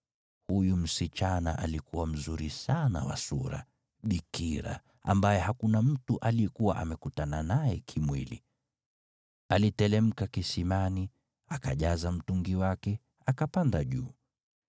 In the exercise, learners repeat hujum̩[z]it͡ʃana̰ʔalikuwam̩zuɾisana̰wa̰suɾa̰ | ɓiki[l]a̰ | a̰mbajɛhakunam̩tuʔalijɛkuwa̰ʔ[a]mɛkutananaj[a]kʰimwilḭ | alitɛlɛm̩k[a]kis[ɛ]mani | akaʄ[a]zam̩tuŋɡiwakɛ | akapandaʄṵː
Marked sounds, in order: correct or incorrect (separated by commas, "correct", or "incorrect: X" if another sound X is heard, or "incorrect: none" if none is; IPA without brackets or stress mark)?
incorrect: s, incorrect: ɾ, correct, incorrect: ɛ, correct, incorrect: i, correct